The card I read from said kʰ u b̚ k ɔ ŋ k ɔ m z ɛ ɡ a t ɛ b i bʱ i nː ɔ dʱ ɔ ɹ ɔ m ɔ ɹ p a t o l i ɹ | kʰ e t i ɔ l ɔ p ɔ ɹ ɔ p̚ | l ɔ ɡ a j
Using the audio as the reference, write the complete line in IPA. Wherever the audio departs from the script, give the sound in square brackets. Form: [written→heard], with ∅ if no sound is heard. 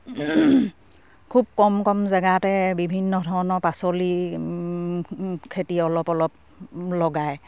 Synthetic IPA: kʰ u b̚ k ɔ [ŋ→m] k ɔ m z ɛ ɡ a t ɛ b i bʱ i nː ɔ dʱ ɔ ɹ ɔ [m→n] ɔ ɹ p a [t→s] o l i [ɹ→∅] | kʰ e t i ɔ l ɔ p ɔ [ɹ→l] ɔ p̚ | l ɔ ɡ a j